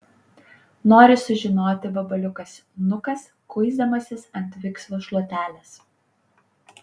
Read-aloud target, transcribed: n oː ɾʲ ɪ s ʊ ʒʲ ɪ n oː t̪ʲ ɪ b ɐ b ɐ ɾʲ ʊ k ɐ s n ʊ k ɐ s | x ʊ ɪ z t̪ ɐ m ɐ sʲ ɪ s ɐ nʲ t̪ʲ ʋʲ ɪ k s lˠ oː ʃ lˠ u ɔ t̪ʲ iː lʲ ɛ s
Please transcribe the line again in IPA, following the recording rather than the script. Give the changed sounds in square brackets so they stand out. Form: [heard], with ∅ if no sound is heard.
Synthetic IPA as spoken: n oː ɾʲ ɪ s ʊ ʒʲ ɪ n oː t̪ʲ ɪ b ɐ b ɐ [lʲ] ʊ k ɐ s n ʊ k ɐ s | [k] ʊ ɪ z [d̪] ɐ m ɐ sʲ ɪ s ɐ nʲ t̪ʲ ʋʲ ɪ k s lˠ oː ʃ lˠ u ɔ t̪ʲ [æː] lʲ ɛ s